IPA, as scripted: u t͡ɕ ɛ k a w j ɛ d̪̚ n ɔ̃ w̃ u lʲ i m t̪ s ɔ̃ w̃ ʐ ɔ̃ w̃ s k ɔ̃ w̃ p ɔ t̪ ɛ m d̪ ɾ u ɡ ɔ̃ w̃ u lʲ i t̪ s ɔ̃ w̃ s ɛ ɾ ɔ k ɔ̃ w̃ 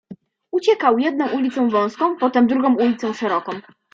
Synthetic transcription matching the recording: u t͡ɕ ɛ k a w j ɛ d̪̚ n ɔ̃ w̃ u lʲ i t̪ s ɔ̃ w̃ v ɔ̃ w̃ s k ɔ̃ w̃ p ɔ t̪ ɛ m d̪ ɾ u ɡ ɔ̃ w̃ u lʲ i t̪ s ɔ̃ w̃ ʂ ɛ ɾ ɔ k ɔ̃ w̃

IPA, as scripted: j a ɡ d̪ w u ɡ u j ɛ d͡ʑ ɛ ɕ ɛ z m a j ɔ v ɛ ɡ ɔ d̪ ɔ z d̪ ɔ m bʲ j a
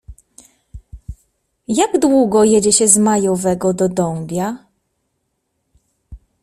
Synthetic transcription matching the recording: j a ɡ d̪ w u ɡ ɔ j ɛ d͡ʑ ɛ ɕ ɛ z m a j ɔ v ɛ ɡ ɔ d̪ ɔ d̪ ɔ m bʲ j a

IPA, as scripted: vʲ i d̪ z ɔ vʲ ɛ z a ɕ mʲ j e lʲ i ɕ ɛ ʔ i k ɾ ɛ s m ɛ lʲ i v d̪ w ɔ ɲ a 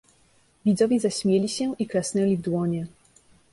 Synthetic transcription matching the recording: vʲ i d̪ z ɔ vʲ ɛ z a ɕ mʲ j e lʲ i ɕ ɛ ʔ i k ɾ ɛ s n ɛ lʲ i v d̪ w ɔ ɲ ɛ

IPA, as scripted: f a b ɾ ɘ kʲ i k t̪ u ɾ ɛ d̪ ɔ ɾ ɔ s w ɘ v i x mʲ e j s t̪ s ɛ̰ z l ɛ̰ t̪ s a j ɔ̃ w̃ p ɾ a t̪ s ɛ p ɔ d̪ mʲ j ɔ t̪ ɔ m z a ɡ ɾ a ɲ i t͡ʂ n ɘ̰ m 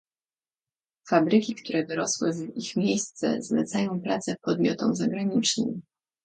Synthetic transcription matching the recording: f a b ɾ ɘ kʲ i k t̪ u ɾ ɛ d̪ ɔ ɾ ɔ s w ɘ v i x mʲ e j s t̪ s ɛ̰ z l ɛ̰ t̪ s a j ɔ̃ w̃ p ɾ a t̪ s ɛ p ɔ d̪ mʲ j ɔ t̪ ɔ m z a ɡ ɾ a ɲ i t͡ʂ n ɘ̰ m

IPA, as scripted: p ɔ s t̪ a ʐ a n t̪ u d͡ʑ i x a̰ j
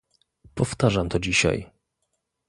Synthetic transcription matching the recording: p ɔ f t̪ a ʐ a m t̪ ɔ d͡ʑ i ɕ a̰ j

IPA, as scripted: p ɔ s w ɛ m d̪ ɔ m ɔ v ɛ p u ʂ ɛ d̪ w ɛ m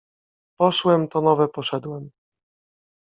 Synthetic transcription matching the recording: p ɔ ʂ w ɛ m t̪ ɔ n ɔ v ɛ p ɔ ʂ ɛ d̪ w ɛ m

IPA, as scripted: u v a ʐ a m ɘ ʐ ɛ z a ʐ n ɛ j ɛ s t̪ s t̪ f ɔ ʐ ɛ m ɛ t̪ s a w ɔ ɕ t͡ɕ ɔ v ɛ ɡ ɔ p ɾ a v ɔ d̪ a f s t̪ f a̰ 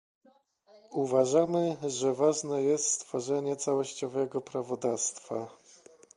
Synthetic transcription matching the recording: u v a ʐ a m ɘ ʐ ɛ v a ʐ n ɛ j ɛ s t̪ s t̪ f ɔ ʐ ɛ ɲ ɛ t̪ s a w ɔ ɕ t͡ɕ ɔ v ɛ ɡ ɔ p ɾ a v ɔ d̪ a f s t̪ f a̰

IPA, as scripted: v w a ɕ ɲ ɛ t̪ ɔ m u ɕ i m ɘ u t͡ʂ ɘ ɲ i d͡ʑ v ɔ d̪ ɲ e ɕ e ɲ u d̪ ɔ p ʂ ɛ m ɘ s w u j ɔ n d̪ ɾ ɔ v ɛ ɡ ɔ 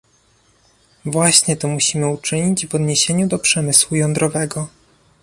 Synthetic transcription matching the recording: v w a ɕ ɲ ɛ t̪ ɔ m u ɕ i m ɘ u t͡ʂ ɘ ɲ i d͡ʑ v ɔ d̪ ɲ e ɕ e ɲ u d̪ ɔ p ʂ ɛ m ɘ s w u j ɔ n d̪ ɾ ɔ v ɛ ɡ ɔ

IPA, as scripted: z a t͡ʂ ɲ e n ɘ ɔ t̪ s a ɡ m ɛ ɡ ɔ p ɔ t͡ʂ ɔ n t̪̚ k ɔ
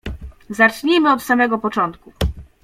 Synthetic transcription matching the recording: z a t͡ʂ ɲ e m ɘ ɔ t̪ s a m ɛ ɡ ɔ p ɔ t͡ʂ ɔ n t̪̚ k u

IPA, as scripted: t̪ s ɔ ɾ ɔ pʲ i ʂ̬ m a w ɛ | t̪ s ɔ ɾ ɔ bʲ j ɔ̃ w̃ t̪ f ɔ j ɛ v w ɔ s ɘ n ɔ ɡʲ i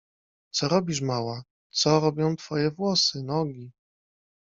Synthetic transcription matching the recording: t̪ s ɔ ɾ ɔ bʲ i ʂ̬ m a w a | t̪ s ɔ ɾ ɔ bʲ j ɔ̃ w̃ t̪ f ɔ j ɛ v w ɔ s ɘ n ɔ ɡʲ i

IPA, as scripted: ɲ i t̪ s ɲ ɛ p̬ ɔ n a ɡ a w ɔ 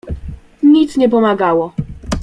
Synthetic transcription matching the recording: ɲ i t̪ s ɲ ɛ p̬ ɔ m a ɡ a w ɔ

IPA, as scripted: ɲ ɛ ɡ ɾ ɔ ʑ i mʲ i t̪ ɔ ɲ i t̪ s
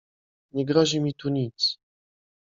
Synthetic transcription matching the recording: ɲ ɛ ɡ ɾ ɔ ʑ i mʲ i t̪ u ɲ i t̪ s

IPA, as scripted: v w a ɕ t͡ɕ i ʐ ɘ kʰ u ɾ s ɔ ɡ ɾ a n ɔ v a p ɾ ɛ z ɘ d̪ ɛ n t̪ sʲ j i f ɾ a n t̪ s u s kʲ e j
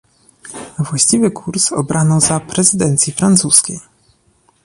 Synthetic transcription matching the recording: v w a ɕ t͡ɕ i v ɘ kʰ u ɾ s ɔ b ɾ a n ɔ z a p ɾ ɛ z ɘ d̪ ɛ n t̪ sʲ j i f ɾ a n t̪ s u s kʲ e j

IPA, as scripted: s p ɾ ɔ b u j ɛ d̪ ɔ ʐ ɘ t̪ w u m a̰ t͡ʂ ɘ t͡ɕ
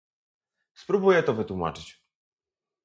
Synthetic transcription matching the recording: s p ɾ u b u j ɛ t̪ ɔ v ɘ t̪ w u m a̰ t͡ʂ ɘ t͡ɕ

